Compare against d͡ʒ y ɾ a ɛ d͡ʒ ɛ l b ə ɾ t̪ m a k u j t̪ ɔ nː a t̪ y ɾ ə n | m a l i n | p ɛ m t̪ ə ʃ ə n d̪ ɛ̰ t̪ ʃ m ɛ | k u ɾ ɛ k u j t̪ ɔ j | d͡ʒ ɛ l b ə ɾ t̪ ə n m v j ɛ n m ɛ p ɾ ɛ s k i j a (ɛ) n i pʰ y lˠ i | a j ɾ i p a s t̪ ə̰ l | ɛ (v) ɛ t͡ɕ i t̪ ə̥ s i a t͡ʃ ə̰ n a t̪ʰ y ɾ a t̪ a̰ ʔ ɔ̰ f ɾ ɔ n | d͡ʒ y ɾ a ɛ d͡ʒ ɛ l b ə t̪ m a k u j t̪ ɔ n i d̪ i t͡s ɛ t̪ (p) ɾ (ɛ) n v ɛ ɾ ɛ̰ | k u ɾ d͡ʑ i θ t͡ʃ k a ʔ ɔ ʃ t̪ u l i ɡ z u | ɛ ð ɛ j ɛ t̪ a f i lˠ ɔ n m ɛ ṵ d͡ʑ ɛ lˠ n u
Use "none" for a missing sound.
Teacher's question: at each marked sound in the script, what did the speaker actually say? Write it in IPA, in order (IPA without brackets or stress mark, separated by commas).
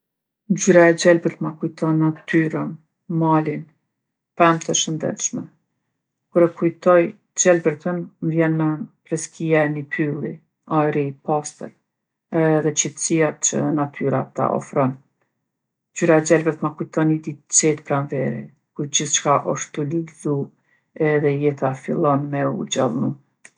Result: ɛ, ð, p, a